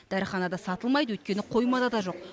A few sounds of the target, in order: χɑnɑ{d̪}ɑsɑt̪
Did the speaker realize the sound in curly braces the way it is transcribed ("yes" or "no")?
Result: yes